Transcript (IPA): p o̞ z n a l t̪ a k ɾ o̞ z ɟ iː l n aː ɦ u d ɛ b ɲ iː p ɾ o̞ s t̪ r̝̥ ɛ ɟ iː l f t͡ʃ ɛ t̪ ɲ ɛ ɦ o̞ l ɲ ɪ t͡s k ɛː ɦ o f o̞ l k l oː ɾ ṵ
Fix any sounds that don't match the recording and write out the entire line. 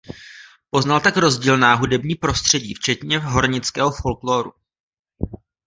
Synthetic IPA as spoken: p o̞ z n a l t̪ a k ɾ o̞ z ɟ iː l n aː ɦ u d ɛ b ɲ iː p ɾ o̞ s t̪ r̝̥ ɛ ɟ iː f t͡ʃ ɛ t̪ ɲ ɛ ɦ o̞ ɾ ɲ ɪ t͡s k ɛː ɦ o f o̞ l k l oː ɾ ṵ